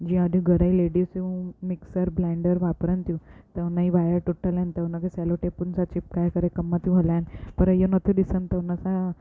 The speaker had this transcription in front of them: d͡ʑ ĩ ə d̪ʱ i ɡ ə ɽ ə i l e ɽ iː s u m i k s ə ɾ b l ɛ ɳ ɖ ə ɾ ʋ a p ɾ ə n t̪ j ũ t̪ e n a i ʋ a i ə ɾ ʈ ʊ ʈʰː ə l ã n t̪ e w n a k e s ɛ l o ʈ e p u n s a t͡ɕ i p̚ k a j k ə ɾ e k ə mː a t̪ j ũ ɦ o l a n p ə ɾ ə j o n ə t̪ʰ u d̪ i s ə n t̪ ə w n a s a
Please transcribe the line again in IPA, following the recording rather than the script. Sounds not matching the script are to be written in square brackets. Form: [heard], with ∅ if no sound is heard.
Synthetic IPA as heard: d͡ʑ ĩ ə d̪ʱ i ɡ ə ɽ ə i l e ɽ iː s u m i k s ə ɾ b l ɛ ɳ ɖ ə ɾ ʋ a p ɾ ə n t̪ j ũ t̪ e n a i ʋ a [j] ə ɾ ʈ [u] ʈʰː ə l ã n t̪ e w n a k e s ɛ l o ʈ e p u n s a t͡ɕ i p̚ k a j k ə ɾ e k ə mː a t̪ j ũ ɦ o l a n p ə ɾ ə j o n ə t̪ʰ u d̪ i s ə n t̪ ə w n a s a

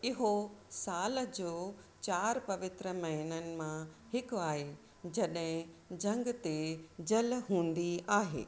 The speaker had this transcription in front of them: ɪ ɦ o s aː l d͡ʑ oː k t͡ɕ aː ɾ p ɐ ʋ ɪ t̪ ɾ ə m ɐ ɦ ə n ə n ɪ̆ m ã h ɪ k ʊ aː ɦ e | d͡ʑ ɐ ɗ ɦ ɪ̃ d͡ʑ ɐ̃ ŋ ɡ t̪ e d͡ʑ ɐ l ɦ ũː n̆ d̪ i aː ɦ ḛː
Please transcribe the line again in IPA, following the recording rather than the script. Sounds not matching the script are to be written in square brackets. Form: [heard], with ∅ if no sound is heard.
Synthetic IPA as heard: ɪ ɦ o s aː l d͡ʑ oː [∅] t͡ɕ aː ɾ p ɐ ʋ ɪ t̪ ɾ ə m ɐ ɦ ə n ə n ɪ̆ m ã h ɪ k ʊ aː ɦ e | d͡ʑ ɐ ɗ ɦ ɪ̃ d͡ʑ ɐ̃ ŋ ɡ t̪ e d͡ʑ ɐ l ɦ ũː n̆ d̪ i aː ɦ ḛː

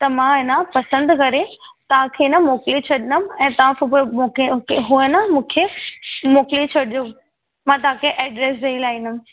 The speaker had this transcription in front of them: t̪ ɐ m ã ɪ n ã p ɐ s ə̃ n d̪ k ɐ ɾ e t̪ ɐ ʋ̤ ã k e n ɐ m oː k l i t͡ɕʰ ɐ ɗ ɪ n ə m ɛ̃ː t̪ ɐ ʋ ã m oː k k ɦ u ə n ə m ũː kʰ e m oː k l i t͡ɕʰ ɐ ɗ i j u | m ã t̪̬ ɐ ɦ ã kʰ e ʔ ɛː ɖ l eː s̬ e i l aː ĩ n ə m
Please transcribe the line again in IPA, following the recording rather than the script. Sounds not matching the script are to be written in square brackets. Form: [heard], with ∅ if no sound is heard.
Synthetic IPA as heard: t̪ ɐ m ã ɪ n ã p ɐ s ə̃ n d̪ k ɐ ɾ e t̪ ɐ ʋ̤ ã [kʰ] e n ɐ m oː k l i t͡ɕʰ ɐ ɗ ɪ n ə m ɛ̃ː t̪ ɐ ʋ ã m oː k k ɦ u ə n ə m ũː kʰ e m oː k l i t͡ɕʰ ɐ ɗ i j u | m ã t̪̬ ɐ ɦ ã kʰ e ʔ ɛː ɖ [ɾ] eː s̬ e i l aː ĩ n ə m

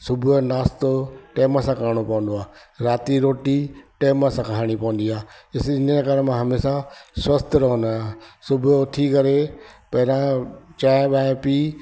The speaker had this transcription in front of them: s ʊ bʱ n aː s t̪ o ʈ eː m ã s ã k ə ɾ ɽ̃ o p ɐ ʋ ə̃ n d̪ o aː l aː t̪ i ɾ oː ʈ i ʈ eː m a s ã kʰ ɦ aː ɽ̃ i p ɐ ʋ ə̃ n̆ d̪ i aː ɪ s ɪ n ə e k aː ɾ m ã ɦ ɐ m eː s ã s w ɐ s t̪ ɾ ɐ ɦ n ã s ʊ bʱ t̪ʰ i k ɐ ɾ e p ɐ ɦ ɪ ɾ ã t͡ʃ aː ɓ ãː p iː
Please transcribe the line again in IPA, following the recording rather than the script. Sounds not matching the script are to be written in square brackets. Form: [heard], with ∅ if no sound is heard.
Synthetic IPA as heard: s ʊ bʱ n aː s t̪ o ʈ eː m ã s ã k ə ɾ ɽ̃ o p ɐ ʋ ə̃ n d̪ o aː [ɾ] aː t̪ i ɾ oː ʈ i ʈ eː m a s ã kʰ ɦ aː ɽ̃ i p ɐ ʋ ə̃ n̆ d̪ i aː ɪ s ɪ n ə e k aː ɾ m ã ɦ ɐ m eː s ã s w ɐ s t̪ ɾ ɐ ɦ n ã s ʊ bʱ t̪ʰ i k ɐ ɾ e p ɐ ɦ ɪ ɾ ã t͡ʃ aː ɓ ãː p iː

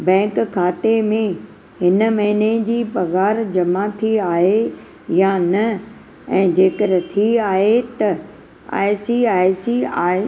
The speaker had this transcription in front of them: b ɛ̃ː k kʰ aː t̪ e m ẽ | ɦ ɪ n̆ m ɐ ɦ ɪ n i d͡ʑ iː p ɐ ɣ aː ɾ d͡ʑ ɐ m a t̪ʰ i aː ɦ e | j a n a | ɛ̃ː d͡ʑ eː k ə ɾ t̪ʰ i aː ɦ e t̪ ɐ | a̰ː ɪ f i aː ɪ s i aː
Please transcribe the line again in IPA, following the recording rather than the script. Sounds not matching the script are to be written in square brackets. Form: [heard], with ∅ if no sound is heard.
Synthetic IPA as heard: b ɛ̃ː k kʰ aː t̪ e m ẽ | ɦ ɪ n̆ m ɐ ɦ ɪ n [e] d͡ʑ iː p ɐ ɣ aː ɾ d͡ʑ ɐ m a t̪ʰ i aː ɦ e | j a n [ɐ] | ɛ̃ː d͡ʑ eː k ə ɾ t̪ʰ i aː ɦ e t̪ ɐ | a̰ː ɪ [s] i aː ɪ s i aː

